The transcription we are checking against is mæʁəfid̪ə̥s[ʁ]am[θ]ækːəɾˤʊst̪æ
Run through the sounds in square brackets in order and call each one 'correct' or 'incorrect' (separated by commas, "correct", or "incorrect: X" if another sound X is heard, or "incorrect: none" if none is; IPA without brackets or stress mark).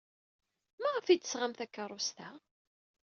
correct, correct